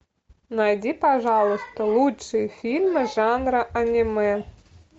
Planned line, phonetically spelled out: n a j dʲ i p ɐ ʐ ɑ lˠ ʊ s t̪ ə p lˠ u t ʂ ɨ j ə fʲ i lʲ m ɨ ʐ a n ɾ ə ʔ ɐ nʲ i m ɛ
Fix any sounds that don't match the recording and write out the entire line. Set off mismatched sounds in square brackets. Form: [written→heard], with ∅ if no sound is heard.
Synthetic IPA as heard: n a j dʲ i p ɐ ʐ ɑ lˠ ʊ s t̪ ə [p→∅] lˠ u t ʂ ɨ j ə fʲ i lʲ m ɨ ʐ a n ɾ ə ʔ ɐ nʲ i m ɛ